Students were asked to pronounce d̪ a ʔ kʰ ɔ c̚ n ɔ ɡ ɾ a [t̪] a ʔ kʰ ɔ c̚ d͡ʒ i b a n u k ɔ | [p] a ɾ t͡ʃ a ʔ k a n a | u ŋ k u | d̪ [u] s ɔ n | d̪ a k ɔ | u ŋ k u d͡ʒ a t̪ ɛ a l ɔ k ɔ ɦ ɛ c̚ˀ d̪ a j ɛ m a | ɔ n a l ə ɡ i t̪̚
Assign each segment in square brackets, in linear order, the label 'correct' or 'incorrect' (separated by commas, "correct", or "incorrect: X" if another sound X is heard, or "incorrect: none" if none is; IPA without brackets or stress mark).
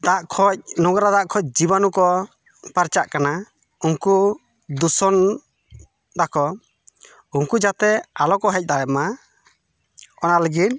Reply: incorrect: d̪, correct, correct